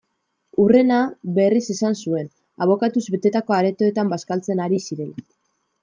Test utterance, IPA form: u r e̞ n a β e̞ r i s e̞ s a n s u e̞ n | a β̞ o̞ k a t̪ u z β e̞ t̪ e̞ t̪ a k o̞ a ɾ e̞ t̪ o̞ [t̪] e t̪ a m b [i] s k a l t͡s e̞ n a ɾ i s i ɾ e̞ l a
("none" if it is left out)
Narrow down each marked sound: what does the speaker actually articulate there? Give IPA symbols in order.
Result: none, a

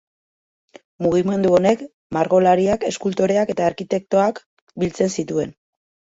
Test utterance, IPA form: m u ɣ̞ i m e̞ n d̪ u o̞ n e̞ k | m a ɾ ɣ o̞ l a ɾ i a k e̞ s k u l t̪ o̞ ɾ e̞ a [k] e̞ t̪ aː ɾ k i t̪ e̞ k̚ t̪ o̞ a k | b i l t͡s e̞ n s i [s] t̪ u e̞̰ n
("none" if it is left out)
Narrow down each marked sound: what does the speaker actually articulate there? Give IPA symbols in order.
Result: k, none

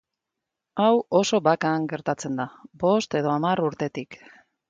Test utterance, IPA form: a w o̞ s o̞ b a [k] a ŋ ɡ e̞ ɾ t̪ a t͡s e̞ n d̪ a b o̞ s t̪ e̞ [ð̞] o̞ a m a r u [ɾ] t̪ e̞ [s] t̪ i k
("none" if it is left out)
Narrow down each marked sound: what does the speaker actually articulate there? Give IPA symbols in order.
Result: k, ð̞, ɾ, none

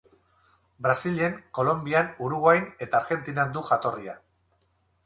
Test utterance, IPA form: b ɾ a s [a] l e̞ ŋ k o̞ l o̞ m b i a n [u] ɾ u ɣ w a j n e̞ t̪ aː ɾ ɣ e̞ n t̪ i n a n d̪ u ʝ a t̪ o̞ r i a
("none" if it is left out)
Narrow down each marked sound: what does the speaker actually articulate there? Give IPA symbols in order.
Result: i, u

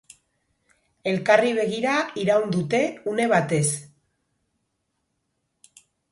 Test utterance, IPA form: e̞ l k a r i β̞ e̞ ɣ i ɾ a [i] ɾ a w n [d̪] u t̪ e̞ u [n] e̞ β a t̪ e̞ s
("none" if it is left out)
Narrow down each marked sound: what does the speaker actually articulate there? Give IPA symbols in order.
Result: i, d̪, n

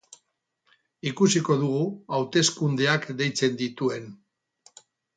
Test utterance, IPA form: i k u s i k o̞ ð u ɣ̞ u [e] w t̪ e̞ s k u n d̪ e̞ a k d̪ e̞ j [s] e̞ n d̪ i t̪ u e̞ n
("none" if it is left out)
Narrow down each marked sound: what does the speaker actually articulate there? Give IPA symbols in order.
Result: a, t͡s

